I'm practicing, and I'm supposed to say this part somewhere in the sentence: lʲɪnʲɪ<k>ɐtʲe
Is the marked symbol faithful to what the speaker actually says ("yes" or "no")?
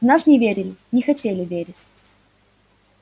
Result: no